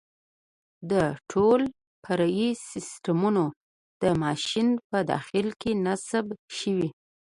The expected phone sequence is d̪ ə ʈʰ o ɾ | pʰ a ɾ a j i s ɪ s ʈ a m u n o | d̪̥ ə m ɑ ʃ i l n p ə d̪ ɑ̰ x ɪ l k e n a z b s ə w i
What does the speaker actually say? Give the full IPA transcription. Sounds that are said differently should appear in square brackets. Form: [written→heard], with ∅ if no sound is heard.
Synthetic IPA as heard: d̪ ə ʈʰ o [ɾ→l] | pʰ a ɾ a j i s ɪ s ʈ a m u n o | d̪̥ ə m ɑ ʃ i [l→∅] n p ə d̪ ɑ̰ x ɪ l k e n a [z→s] b [s→ʃ] ə w i